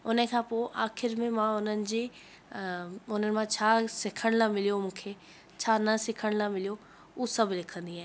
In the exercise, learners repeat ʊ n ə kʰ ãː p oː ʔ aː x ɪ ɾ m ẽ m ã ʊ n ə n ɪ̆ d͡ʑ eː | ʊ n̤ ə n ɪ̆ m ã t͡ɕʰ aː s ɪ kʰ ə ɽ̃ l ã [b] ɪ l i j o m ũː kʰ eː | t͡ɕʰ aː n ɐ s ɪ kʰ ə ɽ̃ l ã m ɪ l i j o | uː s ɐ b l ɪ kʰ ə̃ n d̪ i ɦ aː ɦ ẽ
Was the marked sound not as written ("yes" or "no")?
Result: yes